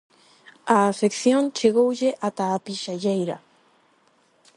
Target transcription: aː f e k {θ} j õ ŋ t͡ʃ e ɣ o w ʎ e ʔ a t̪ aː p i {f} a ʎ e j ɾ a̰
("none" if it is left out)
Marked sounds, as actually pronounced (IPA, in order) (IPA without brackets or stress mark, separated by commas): θ, ʃ